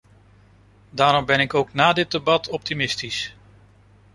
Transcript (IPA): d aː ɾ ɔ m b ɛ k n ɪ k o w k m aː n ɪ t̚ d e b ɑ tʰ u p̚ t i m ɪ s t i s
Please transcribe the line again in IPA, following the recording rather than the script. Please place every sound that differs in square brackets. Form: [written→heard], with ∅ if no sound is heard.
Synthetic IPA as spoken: d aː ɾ ɔ m b ɛ [k→∅] n ɪ k o w k [m→n] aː [n→d] ɪ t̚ d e b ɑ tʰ [u→ɔ] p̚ t i m ɪ s t i s